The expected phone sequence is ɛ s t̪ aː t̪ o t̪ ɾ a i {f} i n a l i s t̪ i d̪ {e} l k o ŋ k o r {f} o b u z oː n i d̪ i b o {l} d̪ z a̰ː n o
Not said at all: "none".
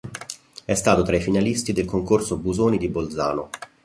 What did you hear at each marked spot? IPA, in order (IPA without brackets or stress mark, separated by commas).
f, e, s, l